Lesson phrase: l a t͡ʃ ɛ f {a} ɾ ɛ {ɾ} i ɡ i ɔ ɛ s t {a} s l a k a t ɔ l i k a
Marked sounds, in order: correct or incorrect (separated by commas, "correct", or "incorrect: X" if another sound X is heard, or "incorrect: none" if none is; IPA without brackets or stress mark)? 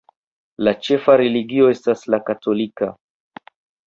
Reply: correct, incorrect: l, correct